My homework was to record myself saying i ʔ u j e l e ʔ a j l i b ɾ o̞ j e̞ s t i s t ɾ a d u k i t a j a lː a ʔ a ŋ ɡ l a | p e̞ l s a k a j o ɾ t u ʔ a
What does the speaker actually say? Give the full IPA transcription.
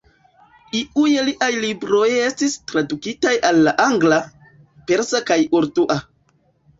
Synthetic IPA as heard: i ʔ u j e l i ʔ a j l i b ɾ o̞ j e̞ s t i s t ɾ a d u k i t a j a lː a ʔ a ŋ ɡ l a | p e̞ ɾ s a k a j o ɾ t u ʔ a